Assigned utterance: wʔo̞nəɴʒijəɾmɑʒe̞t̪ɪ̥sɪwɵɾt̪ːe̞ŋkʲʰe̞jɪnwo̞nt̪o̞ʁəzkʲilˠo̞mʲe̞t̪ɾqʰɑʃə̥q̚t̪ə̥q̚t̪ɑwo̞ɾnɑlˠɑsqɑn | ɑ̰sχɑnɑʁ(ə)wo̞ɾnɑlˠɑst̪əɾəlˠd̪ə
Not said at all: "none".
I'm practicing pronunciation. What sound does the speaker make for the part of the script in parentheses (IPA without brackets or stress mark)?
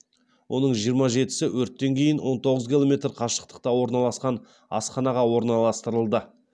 ɑ